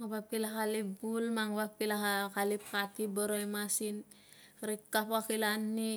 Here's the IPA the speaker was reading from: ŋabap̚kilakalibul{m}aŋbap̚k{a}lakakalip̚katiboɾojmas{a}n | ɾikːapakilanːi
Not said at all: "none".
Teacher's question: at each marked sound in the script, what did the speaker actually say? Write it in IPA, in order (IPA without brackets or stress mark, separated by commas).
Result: m, i, i